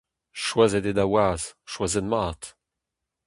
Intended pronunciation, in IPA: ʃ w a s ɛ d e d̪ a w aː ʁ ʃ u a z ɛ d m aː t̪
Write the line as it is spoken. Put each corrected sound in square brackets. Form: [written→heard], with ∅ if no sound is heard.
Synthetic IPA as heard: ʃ w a [s→z] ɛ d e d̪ a w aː [ʁ→z] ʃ [u→w] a z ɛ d m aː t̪